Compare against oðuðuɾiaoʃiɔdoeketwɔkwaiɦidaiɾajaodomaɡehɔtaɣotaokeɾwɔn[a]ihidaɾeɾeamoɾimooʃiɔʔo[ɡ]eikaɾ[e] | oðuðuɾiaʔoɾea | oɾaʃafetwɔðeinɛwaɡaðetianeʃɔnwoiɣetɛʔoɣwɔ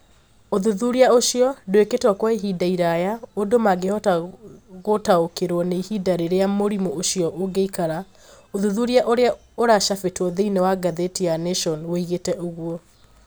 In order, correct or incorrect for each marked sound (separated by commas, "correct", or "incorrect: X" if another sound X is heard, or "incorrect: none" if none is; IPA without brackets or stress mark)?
incorrect: e, correct, incorrect: a